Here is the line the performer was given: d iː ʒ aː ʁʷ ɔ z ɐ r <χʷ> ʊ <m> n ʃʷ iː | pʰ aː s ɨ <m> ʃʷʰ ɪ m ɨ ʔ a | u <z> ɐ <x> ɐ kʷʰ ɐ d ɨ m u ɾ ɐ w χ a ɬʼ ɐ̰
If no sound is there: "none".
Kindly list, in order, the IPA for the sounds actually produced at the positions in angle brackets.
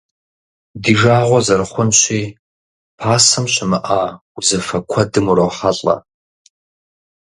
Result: χʷ, none, m, z, f

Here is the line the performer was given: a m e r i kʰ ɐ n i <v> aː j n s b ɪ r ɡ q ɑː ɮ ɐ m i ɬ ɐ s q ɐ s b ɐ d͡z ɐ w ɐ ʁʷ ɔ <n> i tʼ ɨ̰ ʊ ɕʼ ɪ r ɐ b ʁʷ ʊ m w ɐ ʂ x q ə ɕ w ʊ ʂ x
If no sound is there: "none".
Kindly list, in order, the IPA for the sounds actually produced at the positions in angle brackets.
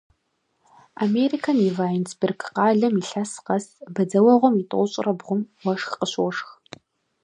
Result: v, m

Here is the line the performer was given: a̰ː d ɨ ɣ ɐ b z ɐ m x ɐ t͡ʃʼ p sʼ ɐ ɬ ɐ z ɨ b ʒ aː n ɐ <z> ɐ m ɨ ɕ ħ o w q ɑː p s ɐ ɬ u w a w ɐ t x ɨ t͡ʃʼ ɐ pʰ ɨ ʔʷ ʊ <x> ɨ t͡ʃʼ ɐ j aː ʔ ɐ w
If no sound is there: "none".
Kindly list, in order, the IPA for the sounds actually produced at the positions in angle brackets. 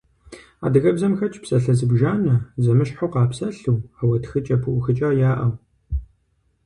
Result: z, x

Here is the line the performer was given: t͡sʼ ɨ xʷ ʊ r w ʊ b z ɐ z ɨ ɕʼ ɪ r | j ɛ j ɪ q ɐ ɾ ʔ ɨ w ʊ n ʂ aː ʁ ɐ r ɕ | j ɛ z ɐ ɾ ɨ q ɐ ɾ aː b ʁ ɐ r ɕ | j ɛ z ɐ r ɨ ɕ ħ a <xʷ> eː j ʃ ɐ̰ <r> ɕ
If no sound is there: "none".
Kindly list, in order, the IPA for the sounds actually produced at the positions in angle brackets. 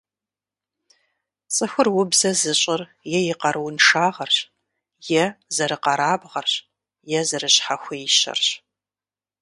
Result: xʷ, r

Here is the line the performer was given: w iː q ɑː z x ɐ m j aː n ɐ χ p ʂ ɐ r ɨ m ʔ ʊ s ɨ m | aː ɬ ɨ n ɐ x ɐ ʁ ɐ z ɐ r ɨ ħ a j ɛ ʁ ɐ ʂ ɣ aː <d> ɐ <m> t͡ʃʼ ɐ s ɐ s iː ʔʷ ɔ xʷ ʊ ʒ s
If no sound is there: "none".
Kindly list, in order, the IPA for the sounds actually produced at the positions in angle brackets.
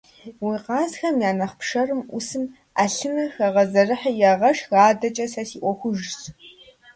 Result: d, none

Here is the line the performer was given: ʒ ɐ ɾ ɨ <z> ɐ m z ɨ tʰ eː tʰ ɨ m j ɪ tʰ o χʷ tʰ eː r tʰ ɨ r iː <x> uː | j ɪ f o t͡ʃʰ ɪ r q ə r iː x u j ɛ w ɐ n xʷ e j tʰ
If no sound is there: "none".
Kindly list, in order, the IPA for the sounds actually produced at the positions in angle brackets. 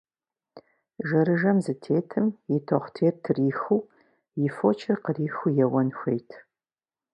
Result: ʒ, x

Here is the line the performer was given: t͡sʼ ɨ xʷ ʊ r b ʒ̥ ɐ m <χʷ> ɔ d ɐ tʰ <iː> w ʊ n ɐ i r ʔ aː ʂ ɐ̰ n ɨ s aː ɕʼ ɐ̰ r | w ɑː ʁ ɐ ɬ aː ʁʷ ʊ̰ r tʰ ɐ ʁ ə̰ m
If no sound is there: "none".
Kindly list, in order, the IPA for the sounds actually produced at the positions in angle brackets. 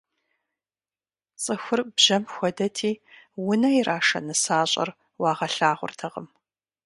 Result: xʷ, iː

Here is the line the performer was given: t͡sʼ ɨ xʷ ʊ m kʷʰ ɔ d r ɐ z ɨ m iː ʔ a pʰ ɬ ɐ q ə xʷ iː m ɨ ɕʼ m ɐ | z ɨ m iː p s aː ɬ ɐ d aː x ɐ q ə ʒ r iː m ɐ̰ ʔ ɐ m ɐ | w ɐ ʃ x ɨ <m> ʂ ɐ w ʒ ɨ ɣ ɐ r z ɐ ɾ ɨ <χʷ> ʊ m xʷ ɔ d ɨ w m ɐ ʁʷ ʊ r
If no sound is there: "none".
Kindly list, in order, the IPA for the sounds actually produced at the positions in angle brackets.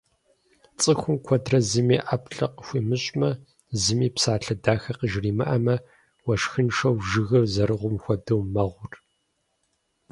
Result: n, ʁʷ

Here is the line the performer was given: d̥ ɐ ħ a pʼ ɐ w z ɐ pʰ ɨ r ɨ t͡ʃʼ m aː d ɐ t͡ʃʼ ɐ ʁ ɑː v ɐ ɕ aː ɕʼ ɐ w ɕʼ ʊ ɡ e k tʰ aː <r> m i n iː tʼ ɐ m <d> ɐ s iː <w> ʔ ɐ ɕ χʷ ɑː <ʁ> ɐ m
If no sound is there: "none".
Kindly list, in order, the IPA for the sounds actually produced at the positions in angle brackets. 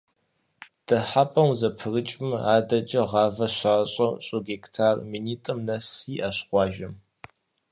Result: r, n, none, ʒ

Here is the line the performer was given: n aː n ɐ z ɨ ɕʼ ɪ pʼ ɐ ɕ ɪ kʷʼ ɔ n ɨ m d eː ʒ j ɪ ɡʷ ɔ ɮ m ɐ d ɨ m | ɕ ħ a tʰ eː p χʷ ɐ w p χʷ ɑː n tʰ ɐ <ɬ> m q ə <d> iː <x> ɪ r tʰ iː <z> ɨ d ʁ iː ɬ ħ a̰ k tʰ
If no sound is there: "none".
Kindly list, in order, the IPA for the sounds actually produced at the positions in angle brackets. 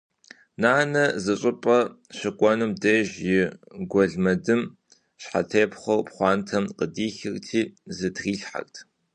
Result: none, d, x, z

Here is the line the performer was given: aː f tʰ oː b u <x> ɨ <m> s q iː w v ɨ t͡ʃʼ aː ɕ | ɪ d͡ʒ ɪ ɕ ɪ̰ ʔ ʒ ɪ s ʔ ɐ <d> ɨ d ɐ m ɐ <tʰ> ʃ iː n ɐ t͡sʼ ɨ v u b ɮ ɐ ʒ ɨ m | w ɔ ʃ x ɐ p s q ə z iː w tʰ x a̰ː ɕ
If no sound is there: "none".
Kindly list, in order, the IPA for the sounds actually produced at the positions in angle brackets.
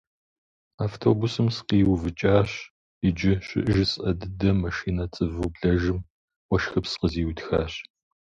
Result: s, m, d, none

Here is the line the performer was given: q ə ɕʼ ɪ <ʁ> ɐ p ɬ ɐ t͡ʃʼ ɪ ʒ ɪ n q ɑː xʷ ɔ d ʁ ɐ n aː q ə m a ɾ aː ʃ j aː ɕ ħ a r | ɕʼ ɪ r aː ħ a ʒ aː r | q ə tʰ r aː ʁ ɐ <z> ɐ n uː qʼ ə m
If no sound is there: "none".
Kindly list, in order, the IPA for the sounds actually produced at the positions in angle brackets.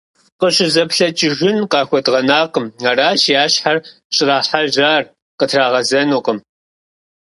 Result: z, z

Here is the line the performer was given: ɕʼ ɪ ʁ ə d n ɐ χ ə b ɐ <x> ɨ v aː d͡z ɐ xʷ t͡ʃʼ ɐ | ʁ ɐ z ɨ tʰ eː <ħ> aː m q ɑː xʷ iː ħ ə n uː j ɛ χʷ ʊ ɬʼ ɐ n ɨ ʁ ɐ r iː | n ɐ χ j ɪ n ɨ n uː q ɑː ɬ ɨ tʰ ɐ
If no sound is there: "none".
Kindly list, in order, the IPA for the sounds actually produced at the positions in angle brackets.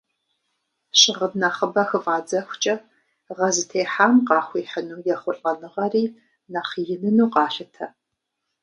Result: x, ħ

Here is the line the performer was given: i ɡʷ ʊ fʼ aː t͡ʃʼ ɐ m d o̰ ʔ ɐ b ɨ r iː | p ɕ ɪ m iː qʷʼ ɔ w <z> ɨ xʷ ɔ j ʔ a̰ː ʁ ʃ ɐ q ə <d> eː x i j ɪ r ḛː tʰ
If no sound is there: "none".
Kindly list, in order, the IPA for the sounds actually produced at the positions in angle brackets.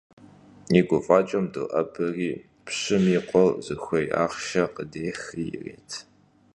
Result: z, d

